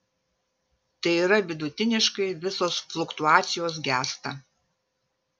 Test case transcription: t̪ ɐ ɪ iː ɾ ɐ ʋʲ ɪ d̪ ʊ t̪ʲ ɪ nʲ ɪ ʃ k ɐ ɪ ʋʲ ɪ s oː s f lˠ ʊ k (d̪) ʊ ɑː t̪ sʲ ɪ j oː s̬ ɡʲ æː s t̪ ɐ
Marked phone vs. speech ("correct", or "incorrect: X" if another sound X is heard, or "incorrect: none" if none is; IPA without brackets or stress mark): incorrect: t̪